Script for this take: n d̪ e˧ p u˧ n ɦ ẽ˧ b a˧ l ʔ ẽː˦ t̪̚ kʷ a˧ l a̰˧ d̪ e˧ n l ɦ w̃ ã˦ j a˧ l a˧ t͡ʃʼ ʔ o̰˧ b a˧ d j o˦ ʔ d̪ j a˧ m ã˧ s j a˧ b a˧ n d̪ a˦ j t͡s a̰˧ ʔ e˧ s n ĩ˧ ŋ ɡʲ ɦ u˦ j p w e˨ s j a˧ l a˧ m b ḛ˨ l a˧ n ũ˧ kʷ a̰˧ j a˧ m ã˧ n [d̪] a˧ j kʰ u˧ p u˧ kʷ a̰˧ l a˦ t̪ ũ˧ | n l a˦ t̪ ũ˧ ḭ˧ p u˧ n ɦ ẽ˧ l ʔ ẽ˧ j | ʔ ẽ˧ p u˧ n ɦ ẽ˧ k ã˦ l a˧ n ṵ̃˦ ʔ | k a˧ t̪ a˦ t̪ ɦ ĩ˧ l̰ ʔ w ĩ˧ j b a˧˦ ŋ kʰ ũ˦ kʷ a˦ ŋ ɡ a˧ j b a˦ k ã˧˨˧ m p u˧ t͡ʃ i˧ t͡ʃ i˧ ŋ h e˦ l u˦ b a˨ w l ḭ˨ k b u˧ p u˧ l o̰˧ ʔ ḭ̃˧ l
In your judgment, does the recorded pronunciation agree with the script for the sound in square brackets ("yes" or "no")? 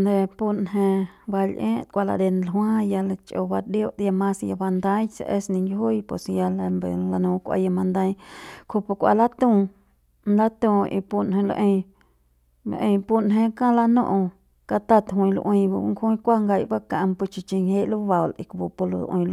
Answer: yes